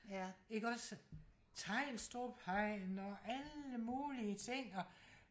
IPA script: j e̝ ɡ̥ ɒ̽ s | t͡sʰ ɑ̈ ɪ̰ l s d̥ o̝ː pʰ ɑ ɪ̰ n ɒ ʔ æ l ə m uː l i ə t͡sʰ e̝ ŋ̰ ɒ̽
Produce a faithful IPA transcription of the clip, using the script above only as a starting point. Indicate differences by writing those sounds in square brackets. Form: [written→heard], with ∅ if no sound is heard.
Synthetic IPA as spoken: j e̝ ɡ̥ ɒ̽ s | t͡sʰ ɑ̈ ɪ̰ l s d̥ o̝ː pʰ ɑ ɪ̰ n ɒ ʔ æ l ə m uː l i ə t͡sʰ e̝ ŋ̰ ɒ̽